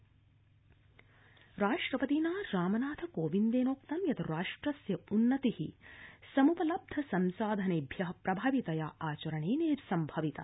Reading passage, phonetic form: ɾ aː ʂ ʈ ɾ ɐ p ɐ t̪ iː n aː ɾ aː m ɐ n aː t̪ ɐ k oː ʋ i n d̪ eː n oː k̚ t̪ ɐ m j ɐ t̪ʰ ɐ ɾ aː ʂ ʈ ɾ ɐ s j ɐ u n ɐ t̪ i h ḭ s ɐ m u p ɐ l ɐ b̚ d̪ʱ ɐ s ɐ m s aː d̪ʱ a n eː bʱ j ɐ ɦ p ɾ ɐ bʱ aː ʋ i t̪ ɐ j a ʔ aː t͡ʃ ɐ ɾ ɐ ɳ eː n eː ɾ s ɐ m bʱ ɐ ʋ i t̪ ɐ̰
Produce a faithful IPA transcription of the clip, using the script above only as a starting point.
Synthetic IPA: ɾ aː ʂ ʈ ɾ ɐ p ɐ t̪ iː n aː ɾ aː m ɐ n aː t̪ʰ ɐ k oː ʋ i n d̪ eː n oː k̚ t̪ ɐ m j ɐ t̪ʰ ɐ ɾ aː ʂ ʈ ɾ ɐ s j ɐ u nː ɐ t̪ i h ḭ s ɐ m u p ɐ l ɐ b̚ d̪ʱ ɐ s ɐ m s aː d̪ʱ ɐ n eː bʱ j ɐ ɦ p ɾ ɐ bʱ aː ʋ i t̪ ɐ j a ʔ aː t͡ʃ ɐ ɾ ɐ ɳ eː n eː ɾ s ɐ m bʱ ɐ ʋ i t̪ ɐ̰